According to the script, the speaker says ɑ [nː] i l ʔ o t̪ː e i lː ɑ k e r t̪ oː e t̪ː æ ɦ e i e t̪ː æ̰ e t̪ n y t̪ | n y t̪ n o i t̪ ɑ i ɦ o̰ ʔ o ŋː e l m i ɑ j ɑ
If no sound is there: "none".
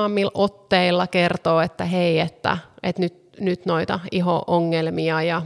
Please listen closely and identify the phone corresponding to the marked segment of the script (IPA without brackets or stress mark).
mː